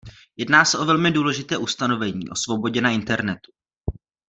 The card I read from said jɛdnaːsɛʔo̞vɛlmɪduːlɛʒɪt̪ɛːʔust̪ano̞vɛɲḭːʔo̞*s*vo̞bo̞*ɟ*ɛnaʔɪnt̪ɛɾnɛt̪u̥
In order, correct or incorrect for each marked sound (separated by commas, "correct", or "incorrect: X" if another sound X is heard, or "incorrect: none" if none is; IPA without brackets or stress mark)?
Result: correct, correct